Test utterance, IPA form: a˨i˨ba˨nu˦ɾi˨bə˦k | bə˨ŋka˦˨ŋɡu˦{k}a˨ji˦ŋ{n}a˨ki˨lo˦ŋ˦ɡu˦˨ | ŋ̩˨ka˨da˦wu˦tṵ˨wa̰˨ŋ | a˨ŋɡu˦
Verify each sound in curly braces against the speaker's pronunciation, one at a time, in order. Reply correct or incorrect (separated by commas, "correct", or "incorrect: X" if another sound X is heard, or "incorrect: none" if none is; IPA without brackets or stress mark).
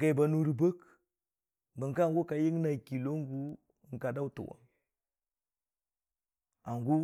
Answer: correct, correct